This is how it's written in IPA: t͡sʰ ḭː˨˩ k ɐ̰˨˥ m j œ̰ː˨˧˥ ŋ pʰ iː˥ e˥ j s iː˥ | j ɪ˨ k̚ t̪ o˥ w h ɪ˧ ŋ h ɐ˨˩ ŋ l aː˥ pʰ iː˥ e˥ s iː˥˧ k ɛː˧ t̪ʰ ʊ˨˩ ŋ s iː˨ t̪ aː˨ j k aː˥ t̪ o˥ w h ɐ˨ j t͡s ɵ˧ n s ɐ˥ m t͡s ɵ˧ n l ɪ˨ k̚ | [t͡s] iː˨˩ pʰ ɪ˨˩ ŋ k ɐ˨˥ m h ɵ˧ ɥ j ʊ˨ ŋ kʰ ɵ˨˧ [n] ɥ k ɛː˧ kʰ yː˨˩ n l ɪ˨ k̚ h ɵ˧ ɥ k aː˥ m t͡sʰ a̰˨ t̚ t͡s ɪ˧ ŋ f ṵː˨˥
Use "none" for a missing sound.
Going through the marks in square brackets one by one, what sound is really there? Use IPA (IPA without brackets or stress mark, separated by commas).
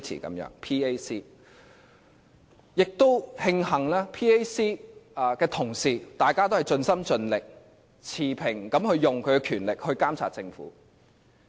t͡sʰ, none